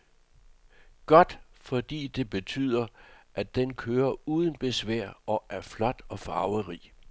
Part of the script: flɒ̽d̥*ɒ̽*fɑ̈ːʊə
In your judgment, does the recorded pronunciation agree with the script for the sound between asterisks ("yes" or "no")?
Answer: yes